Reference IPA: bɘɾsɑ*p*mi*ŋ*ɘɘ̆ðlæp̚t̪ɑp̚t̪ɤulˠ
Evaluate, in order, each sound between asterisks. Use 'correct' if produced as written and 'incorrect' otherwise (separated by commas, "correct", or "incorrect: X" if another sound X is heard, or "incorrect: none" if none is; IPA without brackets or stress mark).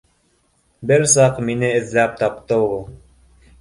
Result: incorrect: q, incorrect: n